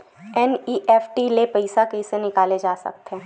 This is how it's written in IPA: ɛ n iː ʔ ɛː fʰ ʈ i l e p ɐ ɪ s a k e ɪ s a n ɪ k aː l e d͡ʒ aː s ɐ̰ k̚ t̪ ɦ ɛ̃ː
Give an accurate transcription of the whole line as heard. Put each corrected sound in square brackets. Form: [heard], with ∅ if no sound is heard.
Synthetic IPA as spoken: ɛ n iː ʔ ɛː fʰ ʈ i l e p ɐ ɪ s a k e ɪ s [e] n ɪ k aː l e d͡ʒ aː s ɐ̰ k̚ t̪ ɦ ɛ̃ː